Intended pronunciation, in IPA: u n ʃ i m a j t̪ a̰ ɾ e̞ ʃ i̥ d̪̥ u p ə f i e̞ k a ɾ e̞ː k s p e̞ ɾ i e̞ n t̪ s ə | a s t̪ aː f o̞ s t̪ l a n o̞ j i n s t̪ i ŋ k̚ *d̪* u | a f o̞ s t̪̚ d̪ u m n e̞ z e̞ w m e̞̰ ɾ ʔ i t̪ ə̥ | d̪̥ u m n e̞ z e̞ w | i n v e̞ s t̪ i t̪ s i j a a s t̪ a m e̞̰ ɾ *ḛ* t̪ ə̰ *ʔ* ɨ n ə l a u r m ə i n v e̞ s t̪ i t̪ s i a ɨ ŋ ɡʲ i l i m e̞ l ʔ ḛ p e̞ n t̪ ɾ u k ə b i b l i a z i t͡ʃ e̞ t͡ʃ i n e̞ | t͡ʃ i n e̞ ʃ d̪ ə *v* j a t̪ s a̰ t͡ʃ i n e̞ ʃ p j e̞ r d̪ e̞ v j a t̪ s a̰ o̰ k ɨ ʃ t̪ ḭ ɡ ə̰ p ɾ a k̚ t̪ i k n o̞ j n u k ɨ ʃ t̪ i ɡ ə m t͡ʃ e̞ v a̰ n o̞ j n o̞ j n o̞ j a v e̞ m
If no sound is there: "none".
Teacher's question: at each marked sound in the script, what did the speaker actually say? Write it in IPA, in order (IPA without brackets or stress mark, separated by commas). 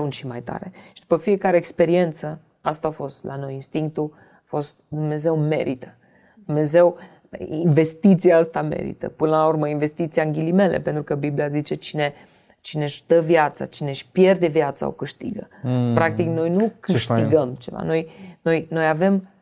t̪, ḭ, p, v